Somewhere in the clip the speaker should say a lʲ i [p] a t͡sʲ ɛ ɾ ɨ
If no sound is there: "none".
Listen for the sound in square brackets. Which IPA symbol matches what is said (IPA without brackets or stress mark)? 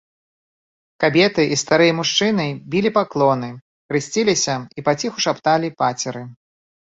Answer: p